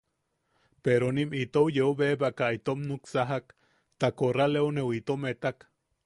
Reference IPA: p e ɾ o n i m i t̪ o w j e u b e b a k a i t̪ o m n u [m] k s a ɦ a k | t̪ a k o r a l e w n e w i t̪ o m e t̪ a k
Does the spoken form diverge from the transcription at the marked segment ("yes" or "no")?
yes